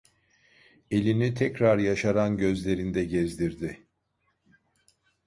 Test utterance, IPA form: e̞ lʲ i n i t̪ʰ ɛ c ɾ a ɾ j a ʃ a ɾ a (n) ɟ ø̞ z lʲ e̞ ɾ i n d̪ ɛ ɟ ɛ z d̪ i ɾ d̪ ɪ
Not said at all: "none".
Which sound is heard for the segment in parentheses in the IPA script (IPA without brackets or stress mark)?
n